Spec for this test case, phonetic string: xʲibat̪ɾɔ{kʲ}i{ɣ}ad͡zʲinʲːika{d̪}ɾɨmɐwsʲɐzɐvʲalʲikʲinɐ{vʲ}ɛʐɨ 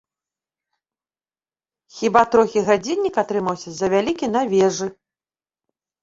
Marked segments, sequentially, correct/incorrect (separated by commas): incorrect, correct, incorrect, correct